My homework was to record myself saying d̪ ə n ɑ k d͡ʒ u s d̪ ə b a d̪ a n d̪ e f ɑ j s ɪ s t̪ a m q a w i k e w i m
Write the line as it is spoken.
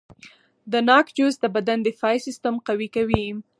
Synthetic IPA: d̪ ə n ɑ k d͡ʒ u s d̪ ə b a d̪ a n d̪ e f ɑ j s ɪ s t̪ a m q a w i k a w i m